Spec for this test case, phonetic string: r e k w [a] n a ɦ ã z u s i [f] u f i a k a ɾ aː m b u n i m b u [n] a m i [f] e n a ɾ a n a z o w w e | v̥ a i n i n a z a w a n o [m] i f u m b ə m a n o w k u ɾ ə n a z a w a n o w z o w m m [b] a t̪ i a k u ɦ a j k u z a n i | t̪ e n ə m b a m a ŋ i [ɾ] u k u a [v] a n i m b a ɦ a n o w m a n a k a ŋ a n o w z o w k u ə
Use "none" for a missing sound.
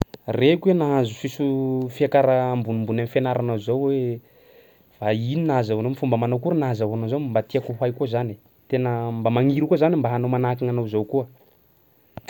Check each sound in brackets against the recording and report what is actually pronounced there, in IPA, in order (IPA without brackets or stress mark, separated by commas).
e, s, n, f, m, b, ɾ, z